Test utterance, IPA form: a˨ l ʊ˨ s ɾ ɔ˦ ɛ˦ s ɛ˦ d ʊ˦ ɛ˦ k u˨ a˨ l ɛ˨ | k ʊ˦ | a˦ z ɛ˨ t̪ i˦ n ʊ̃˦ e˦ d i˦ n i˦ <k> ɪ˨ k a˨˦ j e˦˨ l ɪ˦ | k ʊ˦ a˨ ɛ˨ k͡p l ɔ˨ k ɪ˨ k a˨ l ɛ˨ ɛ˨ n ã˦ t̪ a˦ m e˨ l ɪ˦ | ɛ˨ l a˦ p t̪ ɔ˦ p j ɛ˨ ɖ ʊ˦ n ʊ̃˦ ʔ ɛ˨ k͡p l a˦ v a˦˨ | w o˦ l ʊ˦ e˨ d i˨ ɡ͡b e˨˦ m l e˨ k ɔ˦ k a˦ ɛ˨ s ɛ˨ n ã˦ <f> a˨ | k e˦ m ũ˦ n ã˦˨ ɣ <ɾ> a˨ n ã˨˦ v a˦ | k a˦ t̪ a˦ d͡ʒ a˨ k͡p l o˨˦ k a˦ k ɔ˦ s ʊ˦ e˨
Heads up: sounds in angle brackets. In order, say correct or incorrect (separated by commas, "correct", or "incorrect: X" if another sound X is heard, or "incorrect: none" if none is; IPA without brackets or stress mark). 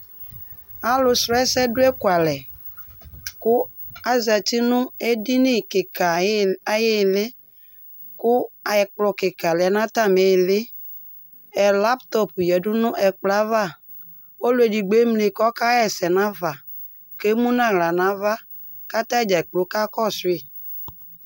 correct, incorrect: v, incorrect: l